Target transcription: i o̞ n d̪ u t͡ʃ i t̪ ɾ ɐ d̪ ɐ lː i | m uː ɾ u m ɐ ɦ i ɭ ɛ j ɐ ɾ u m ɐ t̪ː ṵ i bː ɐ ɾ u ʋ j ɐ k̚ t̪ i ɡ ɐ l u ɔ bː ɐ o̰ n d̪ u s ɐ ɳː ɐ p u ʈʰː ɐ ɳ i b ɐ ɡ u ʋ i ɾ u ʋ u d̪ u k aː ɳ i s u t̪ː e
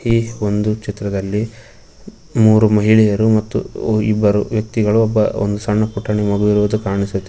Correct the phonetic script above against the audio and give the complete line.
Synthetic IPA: i o̞ n d̪ u t͡ʃ i t̪ ɾ ɐ d̪ ɐ lː i | m uː ɾ u m ɐ ɦ i ɭ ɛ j ɐ ɾ u m ɐ t̪ː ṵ i bː ɐ ɾ u ʋ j ɐ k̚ t̪ i ɡ ɐ ɭ u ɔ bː ɐ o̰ n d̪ u s ɐ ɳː ɐ p u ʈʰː ɐ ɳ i m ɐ ɡ u ʋ i ɾ u ʋ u d̪ u k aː ɳ i s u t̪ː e